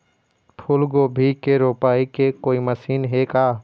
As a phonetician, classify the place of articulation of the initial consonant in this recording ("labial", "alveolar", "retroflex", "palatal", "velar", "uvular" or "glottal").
labial